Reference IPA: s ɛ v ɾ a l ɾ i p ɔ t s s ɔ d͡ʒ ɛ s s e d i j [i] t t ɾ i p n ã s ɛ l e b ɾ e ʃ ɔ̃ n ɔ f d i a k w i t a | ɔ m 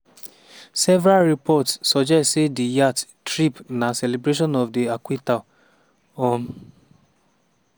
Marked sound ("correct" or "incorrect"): incorrect